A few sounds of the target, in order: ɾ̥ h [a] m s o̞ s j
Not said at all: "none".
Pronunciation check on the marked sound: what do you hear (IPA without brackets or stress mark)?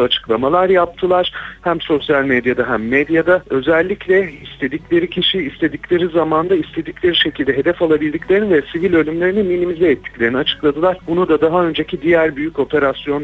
æ